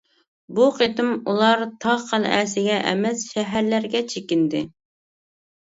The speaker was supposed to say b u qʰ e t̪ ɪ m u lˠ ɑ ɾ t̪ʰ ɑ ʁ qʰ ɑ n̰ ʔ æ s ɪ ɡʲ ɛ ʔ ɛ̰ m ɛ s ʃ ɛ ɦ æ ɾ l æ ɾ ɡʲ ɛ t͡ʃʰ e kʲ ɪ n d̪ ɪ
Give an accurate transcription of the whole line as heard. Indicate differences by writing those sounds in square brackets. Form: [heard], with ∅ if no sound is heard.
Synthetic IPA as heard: b u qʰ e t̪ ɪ m u lˠ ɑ ɾ t̪ʰ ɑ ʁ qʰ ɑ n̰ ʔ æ s ɪ ɡʲ ɛ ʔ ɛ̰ m ɛ s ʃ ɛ ɦ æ ɾ l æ ɾ ɡʲ ɛ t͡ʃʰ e kʲ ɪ n d̪ ɪ